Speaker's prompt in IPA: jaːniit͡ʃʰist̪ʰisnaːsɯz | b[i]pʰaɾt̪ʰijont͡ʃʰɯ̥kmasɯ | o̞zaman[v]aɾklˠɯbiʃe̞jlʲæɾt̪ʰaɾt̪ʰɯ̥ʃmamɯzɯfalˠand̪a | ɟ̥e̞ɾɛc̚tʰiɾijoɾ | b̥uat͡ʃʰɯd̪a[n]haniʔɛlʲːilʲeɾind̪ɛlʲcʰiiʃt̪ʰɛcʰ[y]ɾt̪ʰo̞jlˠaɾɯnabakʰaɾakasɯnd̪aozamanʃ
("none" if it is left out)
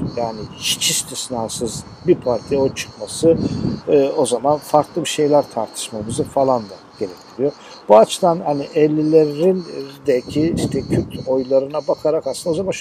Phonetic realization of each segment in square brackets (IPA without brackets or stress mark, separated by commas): i, f, n, y